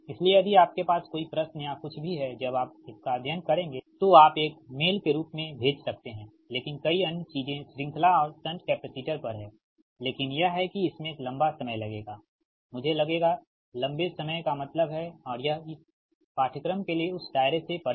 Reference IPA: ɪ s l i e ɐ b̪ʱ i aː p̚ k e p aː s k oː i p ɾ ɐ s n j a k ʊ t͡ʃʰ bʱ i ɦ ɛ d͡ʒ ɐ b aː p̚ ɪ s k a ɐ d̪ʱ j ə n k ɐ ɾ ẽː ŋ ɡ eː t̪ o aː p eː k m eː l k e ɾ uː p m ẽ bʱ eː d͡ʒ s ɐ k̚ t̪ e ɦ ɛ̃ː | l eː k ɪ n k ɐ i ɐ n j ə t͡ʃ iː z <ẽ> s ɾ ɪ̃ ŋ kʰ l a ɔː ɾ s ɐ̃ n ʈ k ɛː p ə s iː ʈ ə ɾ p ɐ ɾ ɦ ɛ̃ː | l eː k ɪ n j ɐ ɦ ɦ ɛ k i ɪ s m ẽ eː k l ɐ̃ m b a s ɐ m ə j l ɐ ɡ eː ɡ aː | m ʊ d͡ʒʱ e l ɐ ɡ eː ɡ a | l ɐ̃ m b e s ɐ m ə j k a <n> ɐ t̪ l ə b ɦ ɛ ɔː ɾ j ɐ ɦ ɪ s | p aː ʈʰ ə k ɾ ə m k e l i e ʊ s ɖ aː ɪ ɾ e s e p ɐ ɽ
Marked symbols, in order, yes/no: yes, no

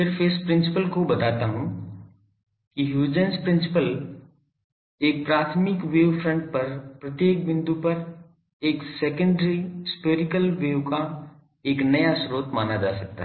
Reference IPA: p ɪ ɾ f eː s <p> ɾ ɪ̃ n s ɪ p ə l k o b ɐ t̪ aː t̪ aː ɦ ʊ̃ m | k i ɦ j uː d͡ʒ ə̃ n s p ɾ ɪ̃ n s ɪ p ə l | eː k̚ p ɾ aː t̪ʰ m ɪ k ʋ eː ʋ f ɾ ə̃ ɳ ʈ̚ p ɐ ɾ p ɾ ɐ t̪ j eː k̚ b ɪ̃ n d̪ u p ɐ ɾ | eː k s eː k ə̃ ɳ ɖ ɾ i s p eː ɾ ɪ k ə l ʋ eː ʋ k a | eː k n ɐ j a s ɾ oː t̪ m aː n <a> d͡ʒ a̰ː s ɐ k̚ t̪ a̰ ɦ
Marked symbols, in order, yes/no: yes, yes

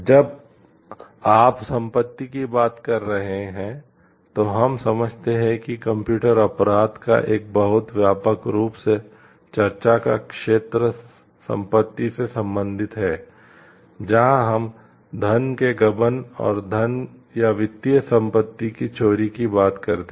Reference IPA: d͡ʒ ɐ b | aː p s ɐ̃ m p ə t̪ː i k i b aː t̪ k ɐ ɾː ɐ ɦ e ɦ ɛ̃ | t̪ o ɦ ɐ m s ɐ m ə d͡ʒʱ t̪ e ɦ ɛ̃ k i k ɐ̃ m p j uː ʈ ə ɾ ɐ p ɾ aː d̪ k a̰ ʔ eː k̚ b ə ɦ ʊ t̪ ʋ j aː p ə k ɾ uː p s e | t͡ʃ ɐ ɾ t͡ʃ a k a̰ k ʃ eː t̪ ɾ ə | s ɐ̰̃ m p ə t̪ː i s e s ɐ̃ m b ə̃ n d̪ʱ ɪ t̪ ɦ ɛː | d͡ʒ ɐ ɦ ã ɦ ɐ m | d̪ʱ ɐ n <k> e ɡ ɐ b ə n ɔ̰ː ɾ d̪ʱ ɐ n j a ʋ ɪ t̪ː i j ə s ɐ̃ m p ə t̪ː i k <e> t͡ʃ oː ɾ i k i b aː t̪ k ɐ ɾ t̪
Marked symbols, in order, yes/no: yes, no

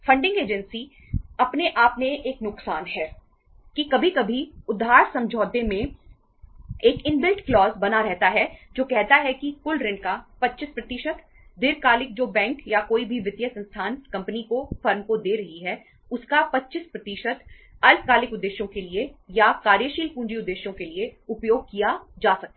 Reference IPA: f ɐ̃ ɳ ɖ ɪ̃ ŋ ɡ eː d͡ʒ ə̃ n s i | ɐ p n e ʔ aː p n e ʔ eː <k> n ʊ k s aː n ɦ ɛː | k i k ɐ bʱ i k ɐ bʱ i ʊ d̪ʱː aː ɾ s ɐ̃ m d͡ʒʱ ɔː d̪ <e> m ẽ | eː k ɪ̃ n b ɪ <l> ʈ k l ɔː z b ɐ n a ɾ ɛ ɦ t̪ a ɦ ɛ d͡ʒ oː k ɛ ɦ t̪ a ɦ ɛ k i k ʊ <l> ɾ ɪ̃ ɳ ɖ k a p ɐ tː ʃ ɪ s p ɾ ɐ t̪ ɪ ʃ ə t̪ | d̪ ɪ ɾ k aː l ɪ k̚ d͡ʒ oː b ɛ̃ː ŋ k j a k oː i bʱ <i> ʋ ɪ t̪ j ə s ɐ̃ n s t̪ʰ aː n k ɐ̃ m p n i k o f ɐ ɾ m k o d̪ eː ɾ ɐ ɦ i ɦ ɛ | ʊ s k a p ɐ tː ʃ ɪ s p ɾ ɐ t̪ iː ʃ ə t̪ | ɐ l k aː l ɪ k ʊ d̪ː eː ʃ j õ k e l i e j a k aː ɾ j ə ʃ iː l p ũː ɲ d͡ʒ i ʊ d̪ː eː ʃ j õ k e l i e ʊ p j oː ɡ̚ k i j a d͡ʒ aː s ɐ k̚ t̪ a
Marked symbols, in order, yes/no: yes, yes, yes, yes, yes

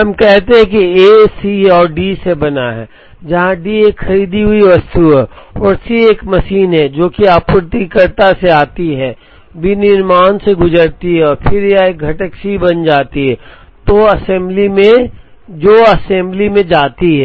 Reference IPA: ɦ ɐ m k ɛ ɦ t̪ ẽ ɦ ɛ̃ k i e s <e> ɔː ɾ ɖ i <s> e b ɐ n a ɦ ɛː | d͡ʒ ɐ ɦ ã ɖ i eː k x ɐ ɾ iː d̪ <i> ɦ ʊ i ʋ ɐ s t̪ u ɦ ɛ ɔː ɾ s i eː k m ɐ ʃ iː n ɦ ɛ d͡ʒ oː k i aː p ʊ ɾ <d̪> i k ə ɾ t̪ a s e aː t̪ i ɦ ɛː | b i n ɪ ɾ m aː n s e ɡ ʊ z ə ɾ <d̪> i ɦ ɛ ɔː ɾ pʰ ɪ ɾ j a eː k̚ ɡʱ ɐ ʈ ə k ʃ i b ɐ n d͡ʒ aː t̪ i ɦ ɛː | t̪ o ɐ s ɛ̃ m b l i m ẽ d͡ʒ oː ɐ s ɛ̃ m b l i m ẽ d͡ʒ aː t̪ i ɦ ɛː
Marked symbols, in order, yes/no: no, yes, yes, no, no

